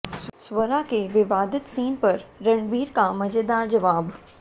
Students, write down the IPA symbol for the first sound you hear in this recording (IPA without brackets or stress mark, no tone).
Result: s